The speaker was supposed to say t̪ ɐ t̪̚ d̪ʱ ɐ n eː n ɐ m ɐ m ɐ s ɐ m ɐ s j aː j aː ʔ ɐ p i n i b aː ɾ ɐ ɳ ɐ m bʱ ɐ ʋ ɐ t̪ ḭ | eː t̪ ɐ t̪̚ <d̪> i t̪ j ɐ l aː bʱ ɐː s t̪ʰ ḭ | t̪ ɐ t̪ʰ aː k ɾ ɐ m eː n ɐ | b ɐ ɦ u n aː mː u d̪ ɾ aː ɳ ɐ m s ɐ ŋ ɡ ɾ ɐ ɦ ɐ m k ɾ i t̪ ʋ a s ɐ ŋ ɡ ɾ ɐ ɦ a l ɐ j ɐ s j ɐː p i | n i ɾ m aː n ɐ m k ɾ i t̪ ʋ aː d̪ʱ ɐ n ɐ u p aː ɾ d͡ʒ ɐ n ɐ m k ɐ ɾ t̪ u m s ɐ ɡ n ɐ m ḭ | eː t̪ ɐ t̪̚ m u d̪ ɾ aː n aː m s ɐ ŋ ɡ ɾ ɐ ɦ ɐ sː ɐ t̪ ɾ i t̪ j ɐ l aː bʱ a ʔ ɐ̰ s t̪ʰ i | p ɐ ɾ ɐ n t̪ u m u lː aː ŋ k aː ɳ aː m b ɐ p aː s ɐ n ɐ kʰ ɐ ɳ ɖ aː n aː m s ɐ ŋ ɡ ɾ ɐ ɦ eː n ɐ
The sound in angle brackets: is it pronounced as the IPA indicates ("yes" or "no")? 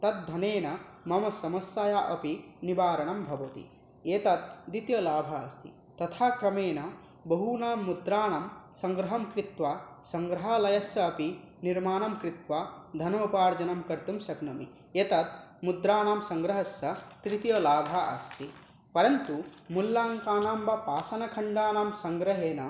yes